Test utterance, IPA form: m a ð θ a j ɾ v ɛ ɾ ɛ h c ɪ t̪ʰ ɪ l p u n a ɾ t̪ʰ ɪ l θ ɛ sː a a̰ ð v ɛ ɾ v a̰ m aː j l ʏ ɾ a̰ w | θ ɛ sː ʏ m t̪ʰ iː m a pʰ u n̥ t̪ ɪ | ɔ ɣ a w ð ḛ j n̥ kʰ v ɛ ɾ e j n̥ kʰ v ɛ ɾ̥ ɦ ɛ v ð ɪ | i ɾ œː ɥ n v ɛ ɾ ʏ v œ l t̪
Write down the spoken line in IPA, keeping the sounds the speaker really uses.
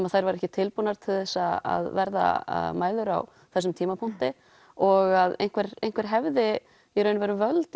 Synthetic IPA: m a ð θ a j ɾ v a ɾ ɛ h c ɪ t̪ʰ ɪ l p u n a ɾ t̪ʰ ɪ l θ ɛ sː a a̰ ð v ɛ ɾ ð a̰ m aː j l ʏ ɾ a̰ w | θ ɛ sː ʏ m t̪ʰ iː m a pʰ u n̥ t̪ ɪ | ɔ ɣ a ð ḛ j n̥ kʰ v ɛ ɾ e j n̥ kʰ v ɛ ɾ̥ ɦ ɛ v ð ɪ | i ɾ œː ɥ n v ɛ ɾ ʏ v œ l t̪